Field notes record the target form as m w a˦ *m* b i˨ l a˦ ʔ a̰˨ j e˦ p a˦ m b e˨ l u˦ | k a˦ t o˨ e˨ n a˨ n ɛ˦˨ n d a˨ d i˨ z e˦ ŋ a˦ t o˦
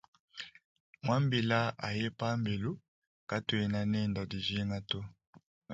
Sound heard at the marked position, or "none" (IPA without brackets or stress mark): m